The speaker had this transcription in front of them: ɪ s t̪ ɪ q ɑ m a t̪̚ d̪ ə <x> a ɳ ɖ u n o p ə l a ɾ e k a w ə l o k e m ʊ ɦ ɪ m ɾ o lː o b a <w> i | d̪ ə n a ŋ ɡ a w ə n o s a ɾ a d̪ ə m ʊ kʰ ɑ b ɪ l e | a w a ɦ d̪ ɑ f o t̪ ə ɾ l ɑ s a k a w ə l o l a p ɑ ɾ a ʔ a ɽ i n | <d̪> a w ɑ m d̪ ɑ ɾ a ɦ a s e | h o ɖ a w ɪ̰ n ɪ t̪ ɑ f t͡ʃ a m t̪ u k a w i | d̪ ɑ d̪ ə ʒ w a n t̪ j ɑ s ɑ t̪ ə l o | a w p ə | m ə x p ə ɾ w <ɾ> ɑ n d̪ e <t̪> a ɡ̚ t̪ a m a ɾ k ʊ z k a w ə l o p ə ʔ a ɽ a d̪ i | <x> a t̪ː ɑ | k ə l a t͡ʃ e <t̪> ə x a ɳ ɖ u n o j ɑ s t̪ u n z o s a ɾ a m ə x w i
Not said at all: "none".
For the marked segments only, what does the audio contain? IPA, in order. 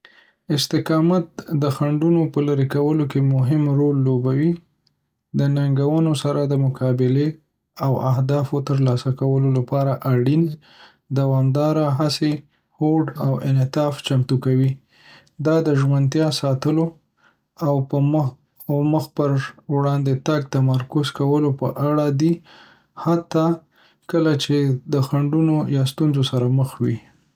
x, w, d̪, ɽ, t̪, h, d̪

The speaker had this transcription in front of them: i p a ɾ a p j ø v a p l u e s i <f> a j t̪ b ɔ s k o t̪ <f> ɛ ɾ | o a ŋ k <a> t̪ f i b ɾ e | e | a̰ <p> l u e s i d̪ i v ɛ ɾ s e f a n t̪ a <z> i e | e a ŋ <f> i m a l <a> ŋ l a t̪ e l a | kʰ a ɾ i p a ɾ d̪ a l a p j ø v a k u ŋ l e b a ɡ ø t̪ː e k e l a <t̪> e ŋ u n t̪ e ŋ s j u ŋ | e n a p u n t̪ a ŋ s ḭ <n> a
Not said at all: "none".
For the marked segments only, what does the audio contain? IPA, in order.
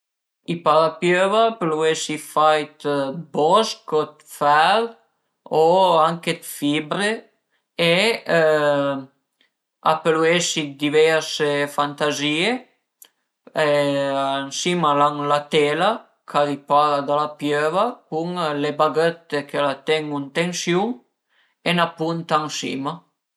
f, f, e, p, z, s, a, t̪, m

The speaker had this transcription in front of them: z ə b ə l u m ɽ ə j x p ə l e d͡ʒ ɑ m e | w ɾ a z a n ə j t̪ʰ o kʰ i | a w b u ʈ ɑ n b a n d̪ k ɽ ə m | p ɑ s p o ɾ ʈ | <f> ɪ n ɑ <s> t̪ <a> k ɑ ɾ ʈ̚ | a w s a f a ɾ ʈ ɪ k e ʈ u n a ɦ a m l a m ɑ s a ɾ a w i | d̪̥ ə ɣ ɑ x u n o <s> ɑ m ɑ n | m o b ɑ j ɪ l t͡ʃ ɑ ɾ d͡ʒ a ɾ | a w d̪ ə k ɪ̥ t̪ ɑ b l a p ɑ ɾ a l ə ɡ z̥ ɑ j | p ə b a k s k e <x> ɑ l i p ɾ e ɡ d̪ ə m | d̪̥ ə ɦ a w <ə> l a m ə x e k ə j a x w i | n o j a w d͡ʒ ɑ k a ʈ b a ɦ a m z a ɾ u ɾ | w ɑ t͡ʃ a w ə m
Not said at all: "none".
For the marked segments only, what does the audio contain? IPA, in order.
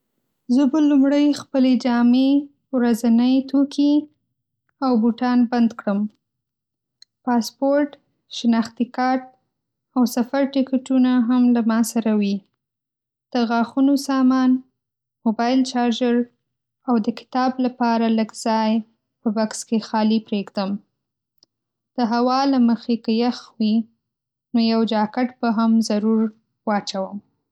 ʃ, x, i, s, x, ɑ

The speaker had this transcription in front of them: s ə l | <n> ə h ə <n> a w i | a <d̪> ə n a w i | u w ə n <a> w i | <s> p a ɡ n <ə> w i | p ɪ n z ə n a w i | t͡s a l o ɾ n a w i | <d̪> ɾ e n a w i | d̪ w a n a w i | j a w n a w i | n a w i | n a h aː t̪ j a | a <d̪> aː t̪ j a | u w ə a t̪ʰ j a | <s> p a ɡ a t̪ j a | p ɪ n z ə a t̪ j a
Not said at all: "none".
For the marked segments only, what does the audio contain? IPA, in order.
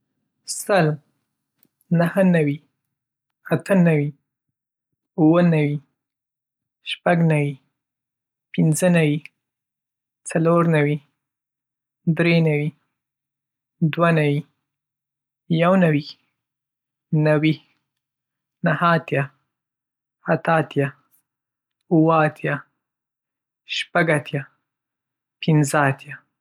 n, n, t̪, a, ʃ, a, d̪, t̪, ʃ

